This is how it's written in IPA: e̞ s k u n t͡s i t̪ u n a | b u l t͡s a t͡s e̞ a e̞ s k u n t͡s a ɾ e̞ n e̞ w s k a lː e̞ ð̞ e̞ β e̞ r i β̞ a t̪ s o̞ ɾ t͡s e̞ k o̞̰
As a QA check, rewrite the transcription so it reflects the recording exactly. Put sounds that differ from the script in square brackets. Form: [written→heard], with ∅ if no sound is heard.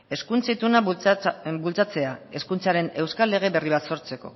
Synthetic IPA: e̞ s k u n t͡s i t̪ u n a | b u l t͡s a t͡s e̞ a e̞ s k u n t͡s a ɾ e̞ n e̞ w s k a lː e̞ [ð̞→ɣ̞] e̞ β e̞ r i β̞ a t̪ s o̞ ɾ t͡s e̞ k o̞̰